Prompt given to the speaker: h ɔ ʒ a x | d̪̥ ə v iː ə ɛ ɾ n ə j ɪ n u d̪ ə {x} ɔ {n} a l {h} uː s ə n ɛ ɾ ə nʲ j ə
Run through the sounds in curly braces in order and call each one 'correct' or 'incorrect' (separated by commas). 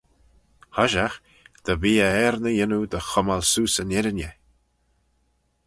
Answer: correct, incorrect, incorrect